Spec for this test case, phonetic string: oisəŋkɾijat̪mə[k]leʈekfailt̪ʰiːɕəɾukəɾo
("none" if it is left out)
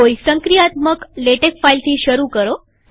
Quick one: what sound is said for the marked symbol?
k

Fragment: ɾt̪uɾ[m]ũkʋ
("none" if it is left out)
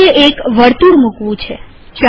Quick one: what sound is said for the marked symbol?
m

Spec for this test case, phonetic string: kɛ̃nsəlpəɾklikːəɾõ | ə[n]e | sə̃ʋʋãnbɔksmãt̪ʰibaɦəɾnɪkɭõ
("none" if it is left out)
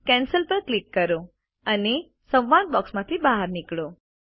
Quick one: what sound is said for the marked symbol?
n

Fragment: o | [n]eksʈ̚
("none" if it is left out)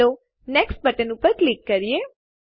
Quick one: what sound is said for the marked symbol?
n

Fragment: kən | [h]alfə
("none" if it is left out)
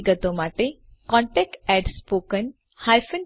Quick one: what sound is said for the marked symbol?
h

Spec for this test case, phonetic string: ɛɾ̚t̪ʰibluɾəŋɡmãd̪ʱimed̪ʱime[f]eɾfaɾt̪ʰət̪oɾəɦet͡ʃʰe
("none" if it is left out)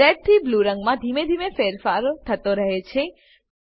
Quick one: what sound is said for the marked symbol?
f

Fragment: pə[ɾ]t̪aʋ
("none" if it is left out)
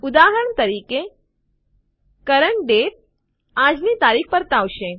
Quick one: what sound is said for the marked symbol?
ɾ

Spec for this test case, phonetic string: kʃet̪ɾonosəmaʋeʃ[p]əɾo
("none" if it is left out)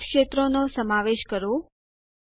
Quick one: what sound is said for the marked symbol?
k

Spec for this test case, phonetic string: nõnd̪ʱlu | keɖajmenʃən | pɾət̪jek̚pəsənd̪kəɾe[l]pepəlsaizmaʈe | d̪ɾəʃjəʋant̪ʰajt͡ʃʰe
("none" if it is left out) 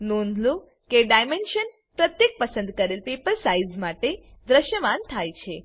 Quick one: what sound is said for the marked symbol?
l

